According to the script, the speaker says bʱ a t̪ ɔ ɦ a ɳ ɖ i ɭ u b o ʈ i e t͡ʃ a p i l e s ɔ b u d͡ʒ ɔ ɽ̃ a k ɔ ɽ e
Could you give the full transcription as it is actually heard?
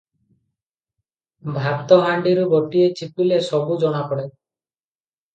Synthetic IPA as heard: bʱ a t̪ ɔ ɦ a ɳ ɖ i ɾ u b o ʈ i e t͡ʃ i p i l e s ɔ b u d͡ʒ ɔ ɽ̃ a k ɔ ɽ e